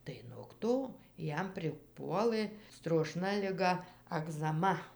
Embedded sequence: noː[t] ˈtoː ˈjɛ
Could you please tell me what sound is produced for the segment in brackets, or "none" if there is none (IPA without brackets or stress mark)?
k